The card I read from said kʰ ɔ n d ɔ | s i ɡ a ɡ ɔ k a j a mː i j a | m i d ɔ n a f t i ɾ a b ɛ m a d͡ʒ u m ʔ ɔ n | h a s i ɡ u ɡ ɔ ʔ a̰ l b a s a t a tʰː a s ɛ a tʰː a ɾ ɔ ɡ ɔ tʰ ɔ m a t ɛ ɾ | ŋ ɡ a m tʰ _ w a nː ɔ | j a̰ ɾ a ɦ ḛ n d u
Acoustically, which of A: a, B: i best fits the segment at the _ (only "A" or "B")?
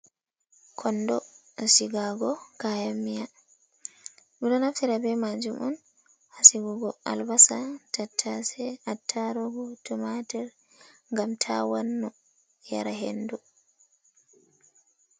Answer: A